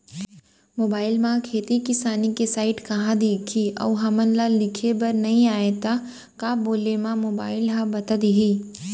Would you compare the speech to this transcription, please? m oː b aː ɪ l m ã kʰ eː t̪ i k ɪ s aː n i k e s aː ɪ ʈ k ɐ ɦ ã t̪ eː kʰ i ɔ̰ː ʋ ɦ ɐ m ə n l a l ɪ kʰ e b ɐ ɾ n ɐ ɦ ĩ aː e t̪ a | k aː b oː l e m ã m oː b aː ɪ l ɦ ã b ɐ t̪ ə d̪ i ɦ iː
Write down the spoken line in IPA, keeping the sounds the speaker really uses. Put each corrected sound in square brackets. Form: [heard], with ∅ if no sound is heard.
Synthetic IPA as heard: m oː b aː ɪ l m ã kʰ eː t̪ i k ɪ s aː n i k e s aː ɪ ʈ k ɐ ɦ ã [d̪] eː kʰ i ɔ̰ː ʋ ɦ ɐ m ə n l a l ɪ kʰ e b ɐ ɾ n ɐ ɦ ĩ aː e t̪ a | k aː b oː l e m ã m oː b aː ɪ l ɦ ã b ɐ t̪ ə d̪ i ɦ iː